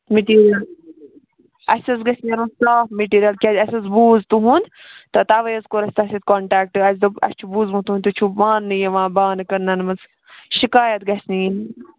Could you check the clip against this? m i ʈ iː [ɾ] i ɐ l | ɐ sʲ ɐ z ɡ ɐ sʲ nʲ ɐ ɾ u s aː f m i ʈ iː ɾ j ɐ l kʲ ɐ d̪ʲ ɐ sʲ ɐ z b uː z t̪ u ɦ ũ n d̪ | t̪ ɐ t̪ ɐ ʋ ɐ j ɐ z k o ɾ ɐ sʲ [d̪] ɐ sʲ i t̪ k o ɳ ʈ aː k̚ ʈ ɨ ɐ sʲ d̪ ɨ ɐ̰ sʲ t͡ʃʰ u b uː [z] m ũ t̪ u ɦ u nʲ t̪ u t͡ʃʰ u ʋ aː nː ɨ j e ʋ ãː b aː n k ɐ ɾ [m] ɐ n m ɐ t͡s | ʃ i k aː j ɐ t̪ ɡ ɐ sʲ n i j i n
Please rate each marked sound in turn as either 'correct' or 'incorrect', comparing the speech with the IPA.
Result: correct, incorrect, correct, incorrect

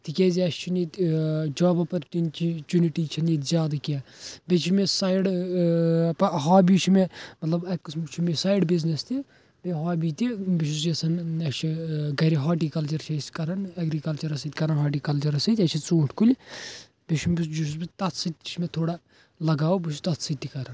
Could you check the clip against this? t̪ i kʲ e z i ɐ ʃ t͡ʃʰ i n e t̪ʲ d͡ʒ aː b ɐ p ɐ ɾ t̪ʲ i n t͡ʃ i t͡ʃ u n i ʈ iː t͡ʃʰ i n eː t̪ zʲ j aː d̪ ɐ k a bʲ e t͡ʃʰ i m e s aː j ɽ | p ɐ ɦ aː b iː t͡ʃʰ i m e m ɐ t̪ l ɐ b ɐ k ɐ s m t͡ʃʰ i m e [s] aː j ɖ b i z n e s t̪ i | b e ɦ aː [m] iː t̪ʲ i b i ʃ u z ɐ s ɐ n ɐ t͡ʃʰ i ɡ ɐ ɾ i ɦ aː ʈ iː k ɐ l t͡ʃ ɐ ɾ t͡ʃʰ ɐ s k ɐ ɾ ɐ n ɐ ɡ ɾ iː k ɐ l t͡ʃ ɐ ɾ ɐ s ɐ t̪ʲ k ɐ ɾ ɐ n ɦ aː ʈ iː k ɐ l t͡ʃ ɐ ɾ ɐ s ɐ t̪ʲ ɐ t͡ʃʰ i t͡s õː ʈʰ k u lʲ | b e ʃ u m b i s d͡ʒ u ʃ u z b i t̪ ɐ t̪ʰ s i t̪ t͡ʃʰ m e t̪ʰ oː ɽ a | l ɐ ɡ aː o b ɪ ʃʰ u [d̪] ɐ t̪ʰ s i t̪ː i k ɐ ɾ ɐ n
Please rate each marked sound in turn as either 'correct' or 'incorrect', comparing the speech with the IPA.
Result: correct, incorrect, incorrect

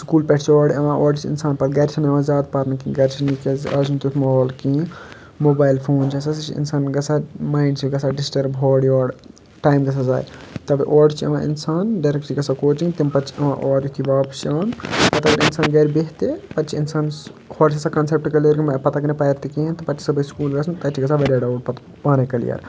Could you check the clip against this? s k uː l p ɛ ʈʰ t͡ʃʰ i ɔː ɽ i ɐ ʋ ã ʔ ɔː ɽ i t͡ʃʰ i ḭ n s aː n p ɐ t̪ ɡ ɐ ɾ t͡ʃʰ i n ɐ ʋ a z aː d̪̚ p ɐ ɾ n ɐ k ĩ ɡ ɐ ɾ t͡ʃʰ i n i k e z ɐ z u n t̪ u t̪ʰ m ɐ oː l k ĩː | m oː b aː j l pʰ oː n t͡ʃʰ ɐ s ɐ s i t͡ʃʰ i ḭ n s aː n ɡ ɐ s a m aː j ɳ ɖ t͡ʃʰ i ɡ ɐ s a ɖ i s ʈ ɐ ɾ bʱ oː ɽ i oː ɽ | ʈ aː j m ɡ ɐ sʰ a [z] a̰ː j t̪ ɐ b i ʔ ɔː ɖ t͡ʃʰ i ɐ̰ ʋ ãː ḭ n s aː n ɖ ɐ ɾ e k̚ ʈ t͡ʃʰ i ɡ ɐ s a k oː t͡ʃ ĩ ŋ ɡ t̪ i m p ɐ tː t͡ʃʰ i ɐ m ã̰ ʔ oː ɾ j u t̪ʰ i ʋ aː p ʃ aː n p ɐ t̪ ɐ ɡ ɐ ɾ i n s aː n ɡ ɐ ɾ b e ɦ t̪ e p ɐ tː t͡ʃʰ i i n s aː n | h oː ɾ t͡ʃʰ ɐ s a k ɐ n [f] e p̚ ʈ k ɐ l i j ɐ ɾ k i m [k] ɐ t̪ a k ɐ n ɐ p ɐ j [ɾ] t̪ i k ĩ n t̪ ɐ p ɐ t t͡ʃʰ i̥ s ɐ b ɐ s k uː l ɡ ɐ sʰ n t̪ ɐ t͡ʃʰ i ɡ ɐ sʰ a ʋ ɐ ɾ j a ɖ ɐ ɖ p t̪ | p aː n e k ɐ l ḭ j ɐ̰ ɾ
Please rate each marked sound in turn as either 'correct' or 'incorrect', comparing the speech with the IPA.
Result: correct, incorrect, incorrect, correct

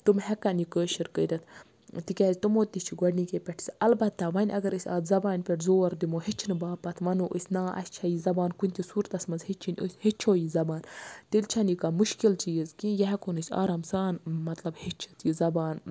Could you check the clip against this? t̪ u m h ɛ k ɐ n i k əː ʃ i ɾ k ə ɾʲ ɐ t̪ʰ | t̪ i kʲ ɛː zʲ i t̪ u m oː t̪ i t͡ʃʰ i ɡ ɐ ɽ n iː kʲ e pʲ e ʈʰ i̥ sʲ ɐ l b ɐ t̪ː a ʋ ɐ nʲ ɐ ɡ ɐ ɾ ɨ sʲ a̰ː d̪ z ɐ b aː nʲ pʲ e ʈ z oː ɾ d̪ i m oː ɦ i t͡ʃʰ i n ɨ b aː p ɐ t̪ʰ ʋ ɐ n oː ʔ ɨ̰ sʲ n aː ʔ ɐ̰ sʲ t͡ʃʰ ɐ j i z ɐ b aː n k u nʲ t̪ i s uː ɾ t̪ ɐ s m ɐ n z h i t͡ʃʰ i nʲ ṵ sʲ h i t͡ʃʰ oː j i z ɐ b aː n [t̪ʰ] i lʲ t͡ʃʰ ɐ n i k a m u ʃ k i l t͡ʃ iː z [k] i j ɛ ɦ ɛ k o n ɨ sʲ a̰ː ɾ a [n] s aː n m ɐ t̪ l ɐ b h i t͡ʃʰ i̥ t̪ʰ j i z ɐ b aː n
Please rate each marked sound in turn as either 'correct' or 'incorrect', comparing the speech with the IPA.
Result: incorrect, correct, incorrect

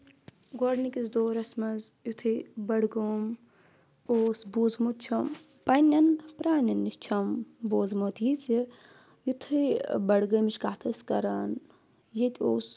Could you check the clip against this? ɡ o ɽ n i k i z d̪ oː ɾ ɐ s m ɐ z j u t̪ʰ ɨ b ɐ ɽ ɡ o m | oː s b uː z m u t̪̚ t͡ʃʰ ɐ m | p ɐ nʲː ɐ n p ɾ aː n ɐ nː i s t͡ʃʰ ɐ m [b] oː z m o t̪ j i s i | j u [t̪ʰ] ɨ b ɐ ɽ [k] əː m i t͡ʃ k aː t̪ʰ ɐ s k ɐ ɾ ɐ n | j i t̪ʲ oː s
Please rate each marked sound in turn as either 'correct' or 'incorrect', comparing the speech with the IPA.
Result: correct, correct, incorrect

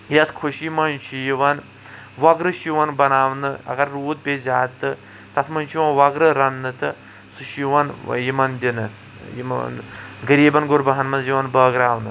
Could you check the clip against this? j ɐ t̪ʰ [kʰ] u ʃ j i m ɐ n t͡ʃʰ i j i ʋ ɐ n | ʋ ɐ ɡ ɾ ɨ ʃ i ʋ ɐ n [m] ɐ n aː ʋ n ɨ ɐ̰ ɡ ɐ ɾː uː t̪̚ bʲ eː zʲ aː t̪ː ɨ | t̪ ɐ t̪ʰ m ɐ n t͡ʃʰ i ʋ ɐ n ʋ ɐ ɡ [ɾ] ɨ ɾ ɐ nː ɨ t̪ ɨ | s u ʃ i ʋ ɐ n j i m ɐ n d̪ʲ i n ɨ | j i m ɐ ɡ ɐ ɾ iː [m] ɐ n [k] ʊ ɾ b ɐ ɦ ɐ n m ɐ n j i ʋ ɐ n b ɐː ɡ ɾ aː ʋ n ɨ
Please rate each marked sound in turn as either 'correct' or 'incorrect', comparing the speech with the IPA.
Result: correct, incorrect, correct, incorrect, incorrect

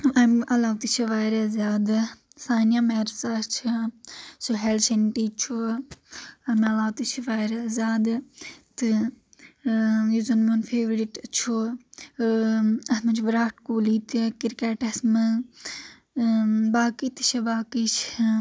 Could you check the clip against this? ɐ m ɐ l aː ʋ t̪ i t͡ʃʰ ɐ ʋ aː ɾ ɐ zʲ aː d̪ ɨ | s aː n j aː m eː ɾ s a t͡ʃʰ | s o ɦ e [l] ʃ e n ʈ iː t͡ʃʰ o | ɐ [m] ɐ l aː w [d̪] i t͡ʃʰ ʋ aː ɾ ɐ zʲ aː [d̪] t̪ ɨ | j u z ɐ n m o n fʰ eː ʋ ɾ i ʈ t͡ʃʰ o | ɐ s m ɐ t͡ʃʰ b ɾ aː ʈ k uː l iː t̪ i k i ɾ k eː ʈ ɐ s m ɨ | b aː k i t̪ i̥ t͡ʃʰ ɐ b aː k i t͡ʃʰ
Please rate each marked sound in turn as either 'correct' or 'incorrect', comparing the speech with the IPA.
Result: correct, correct, incorrect, correct

